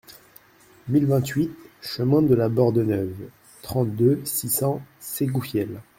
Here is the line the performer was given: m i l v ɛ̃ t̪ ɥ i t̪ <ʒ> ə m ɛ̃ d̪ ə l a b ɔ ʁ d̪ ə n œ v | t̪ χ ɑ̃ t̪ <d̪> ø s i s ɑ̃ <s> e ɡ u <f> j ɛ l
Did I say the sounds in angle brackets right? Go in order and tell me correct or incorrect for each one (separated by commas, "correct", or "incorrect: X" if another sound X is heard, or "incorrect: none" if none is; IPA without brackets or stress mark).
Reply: incorrect: ʃ, correct, correct, correct